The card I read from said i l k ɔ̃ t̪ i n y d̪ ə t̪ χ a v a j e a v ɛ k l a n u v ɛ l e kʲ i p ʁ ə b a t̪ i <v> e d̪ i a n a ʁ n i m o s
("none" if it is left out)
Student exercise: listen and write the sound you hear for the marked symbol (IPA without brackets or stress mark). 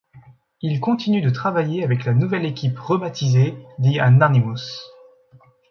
z